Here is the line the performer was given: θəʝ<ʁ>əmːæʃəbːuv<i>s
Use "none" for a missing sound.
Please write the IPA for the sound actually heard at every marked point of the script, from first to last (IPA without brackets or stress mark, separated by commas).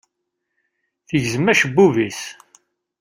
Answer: z, i